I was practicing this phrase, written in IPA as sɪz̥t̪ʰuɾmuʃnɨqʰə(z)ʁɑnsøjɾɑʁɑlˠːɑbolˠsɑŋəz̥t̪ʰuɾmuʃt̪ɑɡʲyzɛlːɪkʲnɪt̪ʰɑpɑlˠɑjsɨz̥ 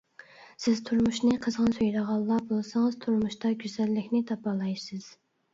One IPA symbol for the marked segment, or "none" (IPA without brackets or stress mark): z